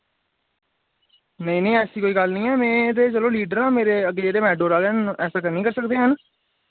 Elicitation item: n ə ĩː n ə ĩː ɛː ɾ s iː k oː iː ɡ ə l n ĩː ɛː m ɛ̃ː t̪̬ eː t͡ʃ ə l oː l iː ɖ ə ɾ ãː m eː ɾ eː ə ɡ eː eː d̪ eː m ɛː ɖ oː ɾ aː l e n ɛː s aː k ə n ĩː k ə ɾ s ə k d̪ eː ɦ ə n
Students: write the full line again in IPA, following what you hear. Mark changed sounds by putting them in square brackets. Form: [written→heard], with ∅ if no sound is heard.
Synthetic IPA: n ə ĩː n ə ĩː ɛː [ɾ→∅] s iː k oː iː ɡ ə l n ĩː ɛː m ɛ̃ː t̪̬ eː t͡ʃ ə l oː l iː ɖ ə ɾ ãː m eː ɾ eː ə ɡ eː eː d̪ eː m ɛː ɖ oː ɾ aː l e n ɛː s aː k ə n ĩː k ə ɾ s ə k d̪ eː ɦ ə n